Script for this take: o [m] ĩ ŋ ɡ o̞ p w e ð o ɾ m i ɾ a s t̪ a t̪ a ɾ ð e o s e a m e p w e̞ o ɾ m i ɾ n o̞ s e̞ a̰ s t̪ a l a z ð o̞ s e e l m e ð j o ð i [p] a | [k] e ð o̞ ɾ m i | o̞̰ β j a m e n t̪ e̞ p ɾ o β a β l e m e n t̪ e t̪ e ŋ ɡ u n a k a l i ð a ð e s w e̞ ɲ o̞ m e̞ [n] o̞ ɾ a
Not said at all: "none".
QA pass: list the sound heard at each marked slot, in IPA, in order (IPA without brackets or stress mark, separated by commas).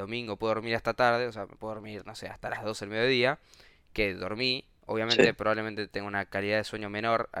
m, none, k, n